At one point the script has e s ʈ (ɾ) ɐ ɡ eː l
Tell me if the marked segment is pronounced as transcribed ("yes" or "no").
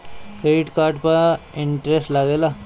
no